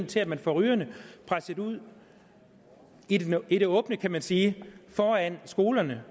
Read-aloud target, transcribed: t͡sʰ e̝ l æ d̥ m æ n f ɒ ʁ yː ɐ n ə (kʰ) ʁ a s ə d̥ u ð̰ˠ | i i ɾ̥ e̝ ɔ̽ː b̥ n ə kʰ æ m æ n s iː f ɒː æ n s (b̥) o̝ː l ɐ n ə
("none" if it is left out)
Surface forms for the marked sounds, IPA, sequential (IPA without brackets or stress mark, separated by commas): pʰ, ɡ̥